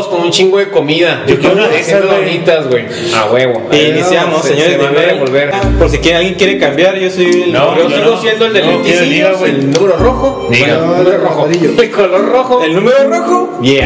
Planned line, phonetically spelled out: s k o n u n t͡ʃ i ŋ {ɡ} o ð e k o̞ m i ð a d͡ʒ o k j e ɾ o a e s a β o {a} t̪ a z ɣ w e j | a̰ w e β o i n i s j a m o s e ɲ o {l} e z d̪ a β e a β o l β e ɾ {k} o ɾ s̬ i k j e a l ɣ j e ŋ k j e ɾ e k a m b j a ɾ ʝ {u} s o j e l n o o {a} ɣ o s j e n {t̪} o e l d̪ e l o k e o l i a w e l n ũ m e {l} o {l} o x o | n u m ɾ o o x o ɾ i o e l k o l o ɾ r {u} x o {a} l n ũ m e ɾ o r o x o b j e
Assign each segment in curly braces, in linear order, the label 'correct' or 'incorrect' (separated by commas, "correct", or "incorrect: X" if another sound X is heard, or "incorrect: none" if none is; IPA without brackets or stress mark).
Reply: correct, incorrect: i, incorrect: ɾ, incorrect: p, incorrect: o, incorrect: i, incorrect: d̪, incorrect: ɾ, incorrect: r, incorrect: o, incorrect: e